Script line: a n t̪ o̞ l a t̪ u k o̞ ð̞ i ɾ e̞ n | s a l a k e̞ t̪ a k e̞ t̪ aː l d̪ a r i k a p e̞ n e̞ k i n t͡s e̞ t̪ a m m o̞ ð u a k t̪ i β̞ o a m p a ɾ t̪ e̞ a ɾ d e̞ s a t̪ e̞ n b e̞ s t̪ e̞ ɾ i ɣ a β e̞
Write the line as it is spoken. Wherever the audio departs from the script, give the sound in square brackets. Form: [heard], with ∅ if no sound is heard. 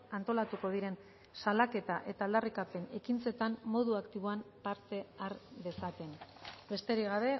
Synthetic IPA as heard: a n t̪ o̞ l a t̪ u k o̞ ð̞ i ɾ e̞ n | s a l a k e̞ t̪ a [ʔ] e̞ t̪ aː l d̪ a r i k a p e̞ n e̞ k i n t͡s e̞ t̪ a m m o̞ ð u a k t̪ i β̞ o a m p a ɾ t̪ e̞ a ɾ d e̞ s a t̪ e̞ n b e̞ s t̪ e̞ ɾ i ɣ a β e̞